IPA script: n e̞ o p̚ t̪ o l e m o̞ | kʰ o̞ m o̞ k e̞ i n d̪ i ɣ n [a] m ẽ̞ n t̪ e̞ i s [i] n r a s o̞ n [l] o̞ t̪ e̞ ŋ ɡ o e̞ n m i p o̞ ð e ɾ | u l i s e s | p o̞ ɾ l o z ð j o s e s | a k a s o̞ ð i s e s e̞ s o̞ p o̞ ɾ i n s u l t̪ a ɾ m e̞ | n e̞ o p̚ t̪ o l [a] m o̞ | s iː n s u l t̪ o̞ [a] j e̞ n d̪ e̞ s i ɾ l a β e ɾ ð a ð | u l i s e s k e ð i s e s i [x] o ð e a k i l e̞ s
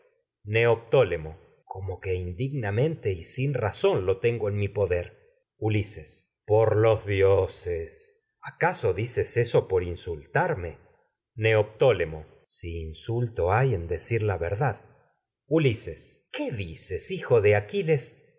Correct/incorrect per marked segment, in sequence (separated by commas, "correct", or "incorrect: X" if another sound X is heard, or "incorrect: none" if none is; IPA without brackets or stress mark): correct, correct, correct, incorrect: e, correct, correct